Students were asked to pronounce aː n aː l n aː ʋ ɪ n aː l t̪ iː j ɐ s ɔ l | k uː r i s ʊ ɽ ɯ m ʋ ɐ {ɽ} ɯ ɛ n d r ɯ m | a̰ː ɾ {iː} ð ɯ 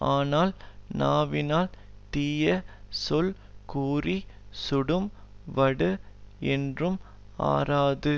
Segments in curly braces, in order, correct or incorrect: correct, incorrect

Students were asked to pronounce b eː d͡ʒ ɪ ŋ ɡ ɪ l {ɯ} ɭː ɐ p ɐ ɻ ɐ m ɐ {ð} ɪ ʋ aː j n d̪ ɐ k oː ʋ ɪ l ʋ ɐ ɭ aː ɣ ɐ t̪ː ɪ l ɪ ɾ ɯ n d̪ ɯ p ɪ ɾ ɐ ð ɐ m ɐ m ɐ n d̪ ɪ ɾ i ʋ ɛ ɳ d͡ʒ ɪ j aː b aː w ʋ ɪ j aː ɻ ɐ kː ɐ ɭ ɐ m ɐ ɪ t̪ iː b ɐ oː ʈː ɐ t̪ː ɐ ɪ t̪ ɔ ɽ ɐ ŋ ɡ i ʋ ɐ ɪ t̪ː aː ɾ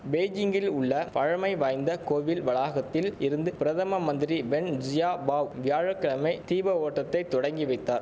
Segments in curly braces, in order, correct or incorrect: incorrect, incorrect

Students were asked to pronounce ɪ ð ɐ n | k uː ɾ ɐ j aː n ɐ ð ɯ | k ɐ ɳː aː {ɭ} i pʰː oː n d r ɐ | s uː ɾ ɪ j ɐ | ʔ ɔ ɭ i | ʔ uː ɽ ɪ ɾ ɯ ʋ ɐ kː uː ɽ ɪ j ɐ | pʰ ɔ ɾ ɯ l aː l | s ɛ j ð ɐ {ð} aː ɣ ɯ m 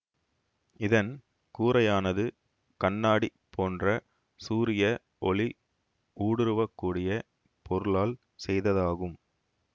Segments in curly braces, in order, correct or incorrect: incorrect, correct

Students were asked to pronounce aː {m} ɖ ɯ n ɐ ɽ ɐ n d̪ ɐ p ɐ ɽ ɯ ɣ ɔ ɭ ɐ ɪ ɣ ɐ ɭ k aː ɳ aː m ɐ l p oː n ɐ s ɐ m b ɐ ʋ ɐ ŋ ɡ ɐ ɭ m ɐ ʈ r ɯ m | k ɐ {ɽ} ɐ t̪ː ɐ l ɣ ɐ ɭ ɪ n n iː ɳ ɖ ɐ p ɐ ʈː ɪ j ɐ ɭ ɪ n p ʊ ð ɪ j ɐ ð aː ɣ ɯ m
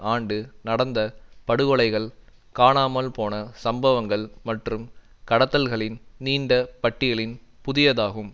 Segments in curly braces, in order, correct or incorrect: incorrect, correct

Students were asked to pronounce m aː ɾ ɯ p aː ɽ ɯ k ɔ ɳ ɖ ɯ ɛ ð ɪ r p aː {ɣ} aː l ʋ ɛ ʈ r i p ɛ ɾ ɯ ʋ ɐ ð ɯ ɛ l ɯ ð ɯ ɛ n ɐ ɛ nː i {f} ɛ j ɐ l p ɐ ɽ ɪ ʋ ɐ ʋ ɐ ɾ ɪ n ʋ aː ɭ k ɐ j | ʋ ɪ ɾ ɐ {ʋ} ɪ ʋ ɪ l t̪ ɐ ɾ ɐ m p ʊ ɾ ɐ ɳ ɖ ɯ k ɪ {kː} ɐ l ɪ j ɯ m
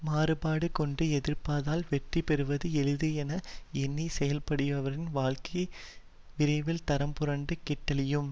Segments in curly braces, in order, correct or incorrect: incorrect, incorrect, incorrect, incorrect

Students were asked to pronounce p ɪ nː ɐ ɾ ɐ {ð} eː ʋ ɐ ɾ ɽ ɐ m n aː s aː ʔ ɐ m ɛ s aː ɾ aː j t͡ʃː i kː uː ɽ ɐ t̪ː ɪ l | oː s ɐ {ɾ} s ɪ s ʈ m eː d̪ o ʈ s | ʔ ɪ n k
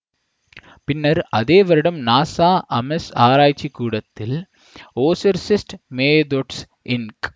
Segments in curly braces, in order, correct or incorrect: correct, correct

